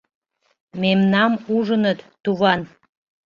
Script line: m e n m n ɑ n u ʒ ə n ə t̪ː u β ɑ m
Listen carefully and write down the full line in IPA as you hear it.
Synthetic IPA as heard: m e m n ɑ m u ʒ ə n ə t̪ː u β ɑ n